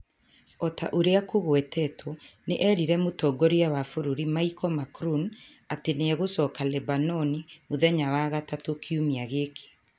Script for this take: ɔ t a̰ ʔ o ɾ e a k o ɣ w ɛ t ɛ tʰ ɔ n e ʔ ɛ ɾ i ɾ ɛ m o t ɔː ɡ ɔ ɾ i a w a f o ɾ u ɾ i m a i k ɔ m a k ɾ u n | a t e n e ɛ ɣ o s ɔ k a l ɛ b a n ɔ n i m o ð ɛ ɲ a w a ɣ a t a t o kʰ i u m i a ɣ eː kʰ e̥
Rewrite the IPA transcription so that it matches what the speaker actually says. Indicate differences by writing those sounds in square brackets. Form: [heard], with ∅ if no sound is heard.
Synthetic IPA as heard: ɔ t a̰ ʔ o ɾ e a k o ɣ w ɛ t ɛ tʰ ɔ n e ʔ ɛ ɾ i ɾ ɛ m o t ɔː ɡ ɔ ɾ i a w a f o ɾ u ɾ i m a i k ɔ m a k ɾ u n | a t e n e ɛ ɣ o s ɔ k a l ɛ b a n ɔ n i m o ð ɛ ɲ a w a ɣ a t a t o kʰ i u m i a ɣ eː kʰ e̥

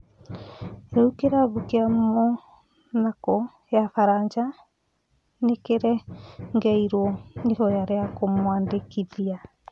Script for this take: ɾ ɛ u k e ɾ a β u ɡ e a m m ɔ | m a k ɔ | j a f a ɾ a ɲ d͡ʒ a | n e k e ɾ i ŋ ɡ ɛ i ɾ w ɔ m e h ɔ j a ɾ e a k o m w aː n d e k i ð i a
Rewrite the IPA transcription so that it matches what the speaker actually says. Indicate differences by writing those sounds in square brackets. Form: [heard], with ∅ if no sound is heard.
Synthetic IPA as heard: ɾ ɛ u k e ɾ a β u [k] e a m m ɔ | [n] a k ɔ | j a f a ɾ a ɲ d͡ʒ a | n e k e ɾ [ɛ] ŋ ɡ ɛ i ɾ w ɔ [n] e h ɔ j a ɾ e a k o m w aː n d e k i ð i a

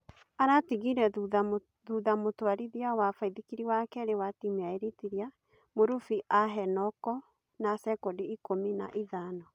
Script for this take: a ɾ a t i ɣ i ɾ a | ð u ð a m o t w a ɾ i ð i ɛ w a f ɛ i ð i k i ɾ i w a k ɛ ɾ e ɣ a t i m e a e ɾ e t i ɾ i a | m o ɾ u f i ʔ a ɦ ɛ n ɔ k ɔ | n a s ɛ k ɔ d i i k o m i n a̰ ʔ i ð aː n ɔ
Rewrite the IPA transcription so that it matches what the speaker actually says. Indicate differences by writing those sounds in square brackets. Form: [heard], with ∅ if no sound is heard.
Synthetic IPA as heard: a ɾ a t i ɣ i ɾ [ɛ] | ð u ð a m o t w a ɾ i ð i [a] w a f [a] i ð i k i ɾ i w a k ɛ ɾ e [w] a t i m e a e ɾ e t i ɾ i a | m o ɾ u f i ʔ a ɦ ɛ n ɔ k ɔ | n a s ɛ k ɔ d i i k o m i n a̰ ʔ i ð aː n ɔ

